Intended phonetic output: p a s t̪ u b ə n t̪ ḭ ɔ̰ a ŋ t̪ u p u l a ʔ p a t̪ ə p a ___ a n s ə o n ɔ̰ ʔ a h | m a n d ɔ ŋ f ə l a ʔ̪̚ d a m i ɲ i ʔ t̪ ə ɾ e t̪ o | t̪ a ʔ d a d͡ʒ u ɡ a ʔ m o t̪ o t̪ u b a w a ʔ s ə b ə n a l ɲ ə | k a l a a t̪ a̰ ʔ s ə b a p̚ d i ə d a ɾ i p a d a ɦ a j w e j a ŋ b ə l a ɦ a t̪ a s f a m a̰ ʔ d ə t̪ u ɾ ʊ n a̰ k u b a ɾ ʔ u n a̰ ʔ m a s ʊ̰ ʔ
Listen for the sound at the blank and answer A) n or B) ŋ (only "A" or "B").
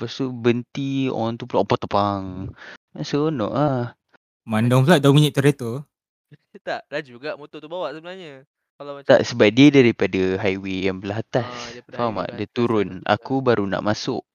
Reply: B